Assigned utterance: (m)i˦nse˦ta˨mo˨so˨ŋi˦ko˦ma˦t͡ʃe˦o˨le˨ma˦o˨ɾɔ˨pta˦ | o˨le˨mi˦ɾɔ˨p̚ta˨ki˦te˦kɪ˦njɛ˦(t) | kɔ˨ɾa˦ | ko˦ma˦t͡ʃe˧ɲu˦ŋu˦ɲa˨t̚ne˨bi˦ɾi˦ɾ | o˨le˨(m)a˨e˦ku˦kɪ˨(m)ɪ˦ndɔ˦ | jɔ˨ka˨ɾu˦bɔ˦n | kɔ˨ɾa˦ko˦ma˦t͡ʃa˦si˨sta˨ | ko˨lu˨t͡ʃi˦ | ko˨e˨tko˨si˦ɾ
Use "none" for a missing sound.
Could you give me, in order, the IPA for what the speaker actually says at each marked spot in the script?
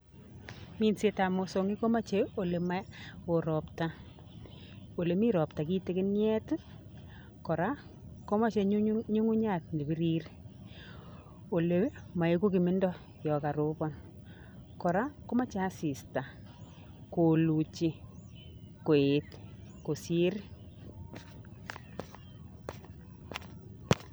m, t, m, m

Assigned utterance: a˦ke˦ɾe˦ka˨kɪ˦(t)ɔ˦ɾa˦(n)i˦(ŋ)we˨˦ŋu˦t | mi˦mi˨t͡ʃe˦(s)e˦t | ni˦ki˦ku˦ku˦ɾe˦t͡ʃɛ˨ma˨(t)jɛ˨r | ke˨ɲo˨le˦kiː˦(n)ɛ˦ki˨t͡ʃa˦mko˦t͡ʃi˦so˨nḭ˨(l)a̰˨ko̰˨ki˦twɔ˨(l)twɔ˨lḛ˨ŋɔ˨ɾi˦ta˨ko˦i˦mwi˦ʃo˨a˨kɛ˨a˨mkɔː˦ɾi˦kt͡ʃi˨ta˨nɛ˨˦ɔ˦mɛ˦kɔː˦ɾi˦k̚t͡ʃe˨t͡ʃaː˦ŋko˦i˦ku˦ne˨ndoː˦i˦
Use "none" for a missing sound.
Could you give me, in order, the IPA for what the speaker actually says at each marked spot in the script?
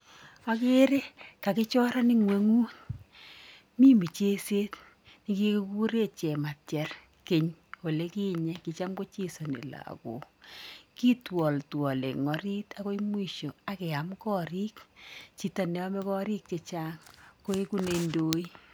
t͡ʃ, n, ŋ, s, t, ɲ, l, l

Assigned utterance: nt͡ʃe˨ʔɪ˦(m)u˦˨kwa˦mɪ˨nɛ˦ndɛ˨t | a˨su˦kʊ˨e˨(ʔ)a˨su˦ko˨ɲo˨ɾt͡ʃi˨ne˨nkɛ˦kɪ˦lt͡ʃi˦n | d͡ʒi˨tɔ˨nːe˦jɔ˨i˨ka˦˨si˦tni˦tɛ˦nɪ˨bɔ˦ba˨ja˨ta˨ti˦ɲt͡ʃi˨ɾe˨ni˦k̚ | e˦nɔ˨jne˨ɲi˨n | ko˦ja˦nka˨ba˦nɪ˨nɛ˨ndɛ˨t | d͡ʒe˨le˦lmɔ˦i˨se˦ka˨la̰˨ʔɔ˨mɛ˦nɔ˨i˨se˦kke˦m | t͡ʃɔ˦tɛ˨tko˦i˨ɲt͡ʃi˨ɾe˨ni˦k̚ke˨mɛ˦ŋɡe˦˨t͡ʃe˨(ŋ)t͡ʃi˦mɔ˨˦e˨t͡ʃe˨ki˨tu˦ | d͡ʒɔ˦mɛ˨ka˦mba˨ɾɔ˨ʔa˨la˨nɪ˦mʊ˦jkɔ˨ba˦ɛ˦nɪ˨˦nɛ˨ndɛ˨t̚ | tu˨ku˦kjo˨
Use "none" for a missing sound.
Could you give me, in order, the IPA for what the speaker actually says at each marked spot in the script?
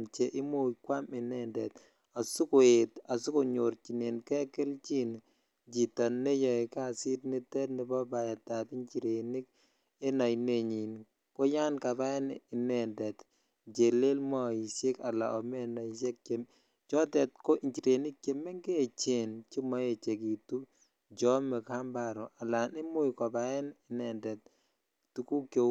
m, t, n

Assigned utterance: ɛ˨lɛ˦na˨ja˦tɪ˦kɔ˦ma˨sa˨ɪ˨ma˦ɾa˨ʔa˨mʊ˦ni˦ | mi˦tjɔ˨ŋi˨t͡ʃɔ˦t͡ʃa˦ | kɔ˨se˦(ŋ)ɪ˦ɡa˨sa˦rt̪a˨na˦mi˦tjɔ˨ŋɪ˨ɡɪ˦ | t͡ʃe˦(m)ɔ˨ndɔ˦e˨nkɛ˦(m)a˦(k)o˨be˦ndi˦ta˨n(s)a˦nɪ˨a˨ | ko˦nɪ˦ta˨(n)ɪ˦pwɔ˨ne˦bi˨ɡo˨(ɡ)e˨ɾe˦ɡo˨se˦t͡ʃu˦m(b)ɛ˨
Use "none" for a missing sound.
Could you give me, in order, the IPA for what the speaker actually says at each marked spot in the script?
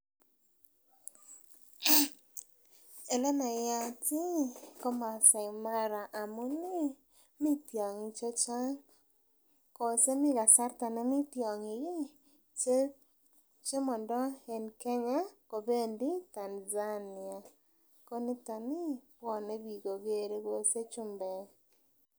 m, m, ɲ, k, z, n, ɡ, b

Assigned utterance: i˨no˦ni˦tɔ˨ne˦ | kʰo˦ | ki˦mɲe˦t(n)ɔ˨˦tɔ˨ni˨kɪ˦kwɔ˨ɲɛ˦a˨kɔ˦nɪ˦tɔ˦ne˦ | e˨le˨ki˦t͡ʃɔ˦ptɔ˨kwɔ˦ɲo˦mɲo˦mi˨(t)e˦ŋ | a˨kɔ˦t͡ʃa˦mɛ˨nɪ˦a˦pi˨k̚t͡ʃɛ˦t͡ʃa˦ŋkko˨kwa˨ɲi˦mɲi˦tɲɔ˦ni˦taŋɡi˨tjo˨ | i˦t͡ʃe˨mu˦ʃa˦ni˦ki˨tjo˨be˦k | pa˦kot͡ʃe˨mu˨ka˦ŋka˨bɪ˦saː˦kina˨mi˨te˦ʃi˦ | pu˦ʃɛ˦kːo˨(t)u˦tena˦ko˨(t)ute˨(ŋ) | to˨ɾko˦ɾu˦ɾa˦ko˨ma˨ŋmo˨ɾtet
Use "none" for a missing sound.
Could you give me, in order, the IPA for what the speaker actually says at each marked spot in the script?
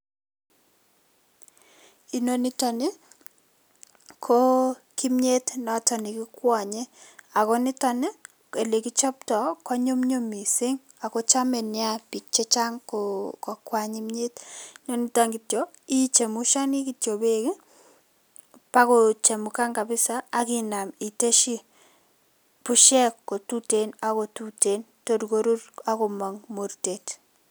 n, s, t, t, n

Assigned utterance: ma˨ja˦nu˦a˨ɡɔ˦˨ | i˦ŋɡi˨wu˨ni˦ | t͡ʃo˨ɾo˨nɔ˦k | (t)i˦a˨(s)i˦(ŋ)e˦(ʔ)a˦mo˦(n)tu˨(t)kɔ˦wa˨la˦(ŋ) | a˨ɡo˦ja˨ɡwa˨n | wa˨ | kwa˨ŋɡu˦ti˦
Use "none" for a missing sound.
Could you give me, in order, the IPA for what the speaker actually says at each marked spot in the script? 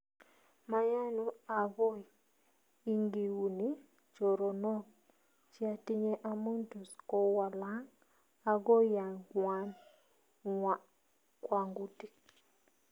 t͡ʃ, t, ɲ, ʔ, n, s, ŋ

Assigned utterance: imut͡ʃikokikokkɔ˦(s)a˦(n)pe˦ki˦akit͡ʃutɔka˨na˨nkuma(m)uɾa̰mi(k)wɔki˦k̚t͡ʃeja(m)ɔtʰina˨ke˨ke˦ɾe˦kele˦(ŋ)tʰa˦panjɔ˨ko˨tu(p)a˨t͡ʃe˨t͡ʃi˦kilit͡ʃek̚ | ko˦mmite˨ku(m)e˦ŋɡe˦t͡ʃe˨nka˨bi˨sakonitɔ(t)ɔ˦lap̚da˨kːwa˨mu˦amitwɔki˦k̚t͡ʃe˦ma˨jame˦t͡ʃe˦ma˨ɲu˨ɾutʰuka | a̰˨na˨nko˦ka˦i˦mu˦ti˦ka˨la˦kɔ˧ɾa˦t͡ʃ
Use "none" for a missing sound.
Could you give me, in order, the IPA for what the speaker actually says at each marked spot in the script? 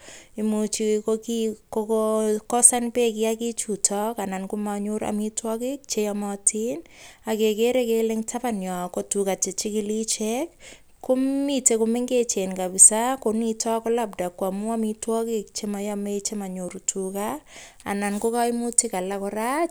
s, n, ɲ, t, m, ŋ, k, m, k

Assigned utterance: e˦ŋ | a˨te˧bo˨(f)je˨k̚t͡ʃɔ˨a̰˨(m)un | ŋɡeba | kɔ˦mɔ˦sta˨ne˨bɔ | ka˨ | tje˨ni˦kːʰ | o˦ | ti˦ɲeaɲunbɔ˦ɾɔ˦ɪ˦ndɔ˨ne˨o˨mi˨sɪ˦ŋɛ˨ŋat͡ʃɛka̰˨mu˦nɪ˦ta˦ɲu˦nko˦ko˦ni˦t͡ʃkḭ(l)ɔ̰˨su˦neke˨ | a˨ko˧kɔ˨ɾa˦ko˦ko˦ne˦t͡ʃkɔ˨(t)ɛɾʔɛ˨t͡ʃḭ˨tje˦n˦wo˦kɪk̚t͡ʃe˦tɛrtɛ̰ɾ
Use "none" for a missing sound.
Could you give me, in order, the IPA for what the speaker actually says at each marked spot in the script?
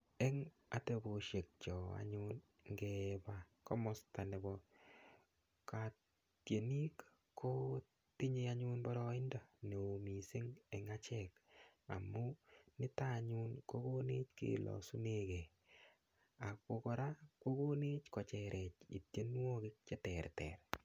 ʃ, ɲ, l, t͡ʃ

